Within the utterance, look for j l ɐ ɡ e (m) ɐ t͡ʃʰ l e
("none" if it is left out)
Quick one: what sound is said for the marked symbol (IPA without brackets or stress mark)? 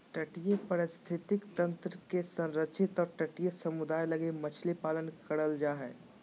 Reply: m